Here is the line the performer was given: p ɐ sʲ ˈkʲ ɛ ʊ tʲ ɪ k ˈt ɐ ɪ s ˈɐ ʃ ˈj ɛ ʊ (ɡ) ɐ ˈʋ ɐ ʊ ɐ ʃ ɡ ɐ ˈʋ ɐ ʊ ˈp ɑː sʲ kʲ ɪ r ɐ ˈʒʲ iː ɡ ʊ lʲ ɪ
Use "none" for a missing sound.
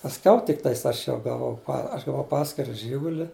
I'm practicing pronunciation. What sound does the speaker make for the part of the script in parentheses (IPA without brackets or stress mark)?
ɡ